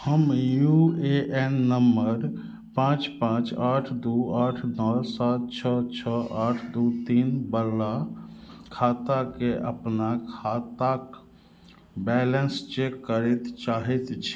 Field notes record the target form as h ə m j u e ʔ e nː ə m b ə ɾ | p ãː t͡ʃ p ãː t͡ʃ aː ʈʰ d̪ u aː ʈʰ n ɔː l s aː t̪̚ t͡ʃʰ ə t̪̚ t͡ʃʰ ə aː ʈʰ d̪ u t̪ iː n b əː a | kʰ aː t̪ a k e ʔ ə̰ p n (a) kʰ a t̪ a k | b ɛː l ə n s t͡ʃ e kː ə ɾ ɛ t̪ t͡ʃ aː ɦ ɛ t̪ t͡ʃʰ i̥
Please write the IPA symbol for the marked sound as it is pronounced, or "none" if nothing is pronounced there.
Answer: a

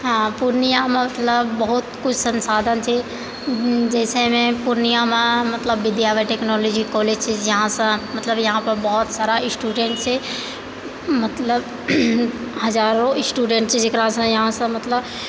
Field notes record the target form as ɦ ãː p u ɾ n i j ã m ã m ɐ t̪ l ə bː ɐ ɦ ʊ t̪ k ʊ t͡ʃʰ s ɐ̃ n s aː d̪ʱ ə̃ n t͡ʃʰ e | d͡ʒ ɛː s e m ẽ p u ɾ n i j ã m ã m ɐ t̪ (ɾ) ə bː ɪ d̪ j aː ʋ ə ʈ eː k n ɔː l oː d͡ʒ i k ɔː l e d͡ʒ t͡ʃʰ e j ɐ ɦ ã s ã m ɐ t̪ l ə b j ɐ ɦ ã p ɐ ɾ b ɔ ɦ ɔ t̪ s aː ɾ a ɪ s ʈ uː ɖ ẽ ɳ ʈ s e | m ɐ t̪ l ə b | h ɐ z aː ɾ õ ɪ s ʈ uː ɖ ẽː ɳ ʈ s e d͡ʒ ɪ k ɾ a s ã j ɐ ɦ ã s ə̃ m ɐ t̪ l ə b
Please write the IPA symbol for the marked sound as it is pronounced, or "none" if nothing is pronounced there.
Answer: l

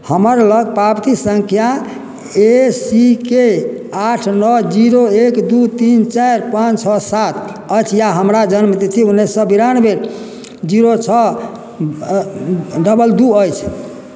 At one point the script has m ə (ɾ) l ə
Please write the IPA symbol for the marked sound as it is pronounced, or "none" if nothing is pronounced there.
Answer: ɾ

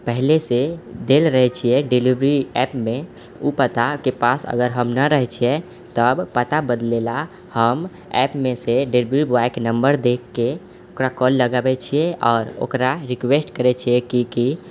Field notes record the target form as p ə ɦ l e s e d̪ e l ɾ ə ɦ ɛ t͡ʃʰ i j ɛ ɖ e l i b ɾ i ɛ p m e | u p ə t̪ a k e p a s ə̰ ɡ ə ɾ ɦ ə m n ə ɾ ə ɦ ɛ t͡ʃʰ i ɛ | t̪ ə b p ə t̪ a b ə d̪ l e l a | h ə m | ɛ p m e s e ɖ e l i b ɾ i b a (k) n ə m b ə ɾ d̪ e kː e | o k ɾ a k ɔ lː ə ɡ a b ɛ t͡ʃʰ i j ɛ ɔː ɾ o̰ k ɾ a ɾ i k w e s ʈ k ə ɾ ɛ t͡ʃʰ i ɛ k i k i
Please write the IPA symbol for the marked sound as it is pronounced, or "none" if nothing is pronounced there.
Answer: k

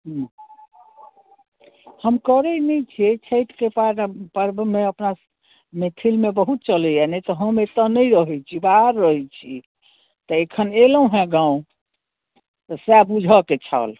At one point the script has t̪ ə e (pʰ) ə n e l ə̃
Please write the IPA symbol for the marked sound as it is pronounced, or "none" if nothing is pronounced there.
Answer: kʰ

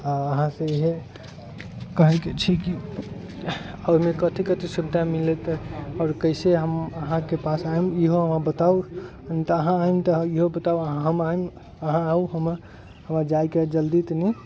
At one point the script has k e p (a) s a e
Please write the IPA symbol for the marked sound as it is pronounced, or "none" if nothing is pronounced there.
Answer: a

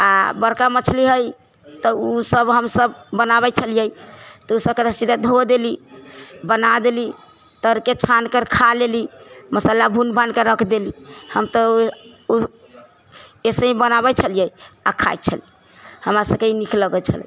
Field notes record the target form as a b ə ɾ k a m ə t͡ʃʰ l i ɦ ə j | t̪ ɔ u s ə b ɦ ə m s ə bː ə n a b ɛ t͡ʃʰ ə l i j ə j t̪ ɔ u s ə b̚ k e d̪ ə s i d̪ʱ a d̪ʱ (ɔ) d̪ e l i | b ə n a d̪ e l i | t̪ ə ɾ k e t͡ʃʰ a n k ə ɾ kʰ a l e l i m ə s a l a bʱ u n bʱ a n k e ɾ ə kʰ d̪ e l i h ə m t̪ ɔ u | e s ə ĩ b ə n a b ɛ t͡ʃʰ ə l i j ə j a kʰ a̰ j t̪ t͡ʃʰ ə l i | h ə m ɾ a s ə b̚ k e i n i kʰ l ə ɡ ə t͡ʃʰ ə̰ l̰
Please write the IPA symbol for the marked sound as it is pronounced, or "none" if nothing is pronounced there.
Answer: o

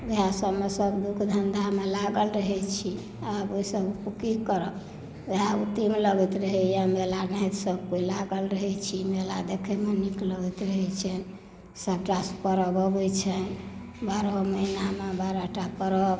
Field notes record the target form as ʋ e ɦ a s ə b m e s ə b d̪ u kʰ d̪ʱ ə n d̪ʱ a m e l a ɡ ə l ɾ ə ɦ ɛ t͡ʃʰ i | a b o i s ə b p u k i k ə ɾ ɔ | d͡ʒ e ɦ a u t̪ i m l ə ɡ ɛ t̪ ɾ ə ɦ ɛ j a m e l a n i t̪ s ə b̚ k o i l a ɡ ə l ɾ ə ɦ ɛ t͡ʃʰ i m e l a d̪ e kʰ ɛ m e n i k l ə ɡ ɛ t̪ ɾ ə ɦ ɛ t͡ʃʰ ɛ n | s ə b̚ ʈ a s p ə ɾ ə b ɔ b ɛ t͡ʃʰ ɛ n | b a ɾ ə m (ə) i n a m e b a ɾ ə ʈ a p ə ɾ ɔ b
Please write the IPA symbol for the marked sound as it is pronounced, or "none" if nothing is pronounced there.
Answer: ə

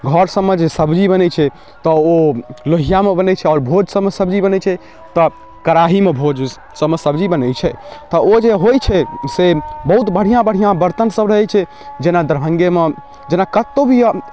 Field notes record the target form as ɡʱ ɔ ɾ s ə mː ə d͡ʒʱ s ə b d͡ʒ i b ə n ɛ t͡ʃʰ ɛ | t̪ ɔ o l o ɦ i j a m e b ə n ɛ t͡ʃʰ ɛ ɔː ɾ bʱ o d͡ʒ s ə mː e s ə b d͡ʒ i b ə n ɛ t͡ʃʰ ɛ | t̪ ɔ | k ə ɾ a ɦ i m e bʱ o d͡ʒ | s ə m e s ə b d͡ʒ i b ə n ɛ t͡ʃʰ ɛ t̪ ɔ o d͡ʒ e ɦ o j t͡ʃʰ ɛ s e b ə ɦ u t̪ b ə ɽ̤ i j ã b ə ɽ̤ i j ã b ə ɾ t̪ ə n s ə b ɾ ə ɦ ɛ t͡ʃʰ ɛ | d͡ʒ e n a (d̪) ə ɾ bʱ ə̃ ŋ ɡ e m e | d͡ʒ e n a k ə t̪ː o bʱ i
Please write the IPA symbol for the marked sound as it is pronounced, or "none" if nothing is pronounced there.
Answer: d̪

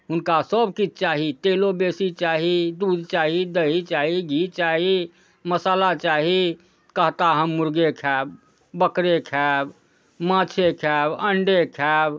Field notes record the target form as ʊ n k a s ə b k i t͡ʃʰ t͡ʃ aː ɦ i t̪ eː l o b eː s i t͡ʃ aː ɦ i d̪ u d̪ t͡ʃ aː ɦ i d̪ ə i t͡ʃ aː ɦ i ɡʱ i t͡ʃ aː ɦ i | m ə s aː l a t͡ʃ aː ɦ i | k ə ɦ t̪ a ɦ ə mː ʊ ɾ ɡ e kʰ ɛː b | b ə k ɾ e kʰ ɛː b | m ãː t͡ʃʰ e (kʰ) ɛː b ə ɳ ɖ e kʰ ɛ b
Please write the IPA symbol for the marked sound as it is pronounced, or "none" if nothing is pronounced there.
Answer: kʰ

